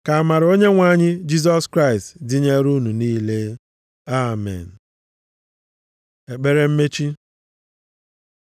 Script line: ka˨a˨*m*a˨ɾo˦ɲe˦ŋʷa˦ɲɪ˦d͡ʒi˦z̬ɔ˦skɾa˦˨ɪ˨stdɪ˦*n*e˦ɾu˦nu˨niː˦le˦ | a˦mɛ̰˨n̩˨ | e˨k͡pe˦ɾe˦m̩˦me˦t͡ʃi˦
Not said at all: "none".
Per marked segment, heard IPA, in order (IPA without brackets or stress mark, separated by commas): m, ɲ